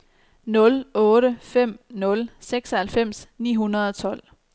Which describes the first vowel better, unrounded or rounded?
rounded